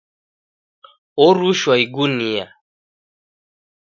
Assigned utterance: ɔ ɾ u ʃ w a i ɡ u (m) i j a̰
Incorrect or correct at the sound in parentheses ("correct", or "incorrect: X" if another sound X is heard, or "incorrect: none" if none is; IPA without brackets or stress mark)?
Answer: incorrect: n